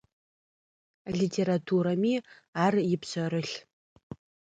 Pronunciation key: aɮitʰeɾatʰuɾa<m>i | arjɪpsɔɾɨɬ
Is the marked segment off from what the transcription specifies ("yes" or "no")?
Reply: no